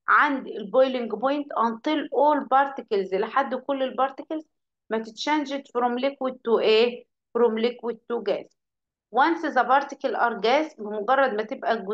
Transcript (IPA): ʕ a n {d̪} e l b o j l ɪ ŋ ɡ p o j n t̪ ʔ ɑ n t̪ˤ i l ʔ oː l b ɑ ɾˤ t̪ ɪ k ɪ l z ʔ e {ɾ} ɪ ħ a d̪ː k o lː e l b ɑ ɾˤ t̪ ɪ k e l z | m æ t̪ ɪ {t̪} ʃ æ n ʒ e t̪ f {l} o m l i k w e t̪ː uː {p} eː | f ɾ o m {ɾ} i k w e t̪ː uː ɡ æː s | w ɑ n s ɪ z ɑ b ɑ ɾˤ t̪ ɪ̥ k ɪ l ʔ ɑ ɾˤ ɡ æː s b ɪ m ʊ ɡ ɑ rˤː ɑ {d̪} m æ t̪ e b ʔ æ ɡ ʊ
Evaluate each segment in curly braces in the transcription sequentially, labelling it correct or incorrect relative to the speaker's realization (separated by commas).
correct, incorrect, correct, incorrect, incorrect, incorrect, correct